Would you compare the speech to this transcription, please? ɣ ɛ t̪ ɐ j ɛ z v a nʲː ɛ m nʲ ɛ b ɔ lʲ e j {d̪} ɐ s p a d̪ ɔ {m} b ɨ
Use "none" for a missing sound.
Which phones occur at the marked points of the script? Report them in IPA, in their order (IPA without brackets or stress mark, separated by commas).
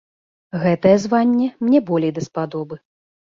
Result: d̪, none